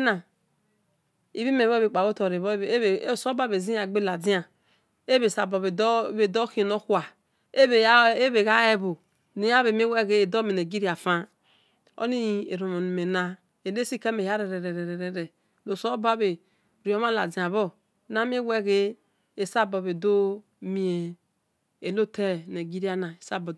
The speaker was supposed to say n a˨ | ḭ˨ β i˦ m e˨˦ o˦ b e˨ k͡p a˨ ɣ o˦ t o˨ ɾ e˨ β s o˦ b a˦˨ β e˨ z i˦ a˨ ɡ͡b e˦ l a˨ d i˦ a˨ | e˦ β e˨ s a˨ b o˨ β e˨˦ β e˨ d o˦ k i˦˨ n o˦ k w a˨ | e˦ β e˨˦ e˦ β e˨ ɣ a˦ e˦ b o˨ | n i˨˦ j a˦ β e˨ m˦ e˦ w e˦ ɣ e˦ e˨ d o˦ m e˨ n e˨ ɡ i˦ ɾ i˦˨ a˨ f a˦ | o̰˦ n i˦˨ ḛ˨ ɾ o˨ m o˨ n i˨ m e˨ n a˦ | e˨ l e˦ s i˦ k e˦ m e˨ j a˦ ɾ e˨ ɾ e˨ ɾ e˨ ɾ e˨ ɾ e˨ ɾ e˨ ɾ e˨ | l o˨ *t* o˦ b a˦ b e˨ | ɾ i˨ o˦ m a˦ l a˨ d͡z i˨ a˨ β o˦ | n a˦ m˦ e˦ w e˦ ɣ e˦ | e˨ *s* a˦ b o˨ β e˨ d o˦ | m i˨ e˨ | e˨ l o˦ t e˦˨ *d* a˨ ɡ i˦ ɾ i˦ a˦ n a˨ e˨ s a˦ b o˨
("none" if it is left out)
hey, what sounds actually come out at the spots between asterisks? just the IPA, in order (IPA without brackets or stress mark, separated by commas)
s, s, n